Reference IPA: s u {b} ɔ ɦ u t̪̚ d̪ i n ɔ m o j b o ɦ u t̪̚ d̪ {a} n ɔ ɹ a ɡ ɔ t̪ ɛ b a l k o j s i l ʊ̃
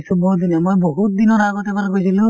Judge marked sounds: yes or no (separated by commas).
yes, no